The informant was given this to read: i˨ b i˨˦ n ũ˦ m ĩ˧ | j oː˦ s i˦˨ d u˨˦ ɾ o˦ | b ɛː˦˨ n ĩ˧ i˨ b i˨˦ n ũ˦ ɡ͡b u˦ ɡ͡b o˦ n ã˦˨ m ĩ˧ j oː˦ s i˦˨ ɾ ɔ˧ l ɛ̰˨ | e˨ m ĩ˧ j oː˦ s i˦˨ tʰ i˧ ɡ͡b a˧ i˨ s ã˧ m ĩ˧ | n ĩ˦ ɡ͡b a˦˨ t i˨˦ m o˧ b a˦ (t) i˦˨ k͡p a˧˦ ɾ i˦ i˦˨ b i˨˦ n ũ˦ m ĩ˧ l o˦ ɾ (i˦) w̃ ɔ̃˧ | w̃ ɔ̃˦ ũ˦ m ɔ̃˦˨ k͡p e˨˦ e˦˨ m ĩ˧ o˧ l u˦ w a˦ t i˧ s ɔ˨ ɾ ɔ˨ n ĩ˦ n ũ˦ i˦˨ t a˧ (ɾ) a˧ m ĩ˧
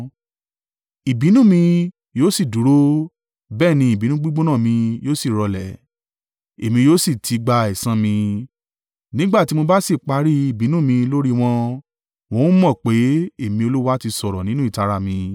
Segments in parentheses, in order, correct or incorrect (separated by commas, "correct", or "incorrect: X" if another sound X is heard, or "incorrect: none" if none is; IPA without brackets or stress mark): incorrect: s, correct, correct